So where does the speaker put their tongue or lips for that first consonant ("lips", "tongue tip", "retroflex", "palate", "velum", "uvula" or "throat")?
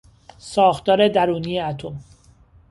tongue tip